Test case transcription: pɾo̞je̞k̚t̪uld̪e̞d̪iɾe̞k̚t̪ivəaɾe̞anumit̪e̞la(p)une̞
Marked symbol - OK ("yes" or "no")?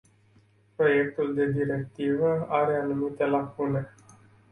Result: no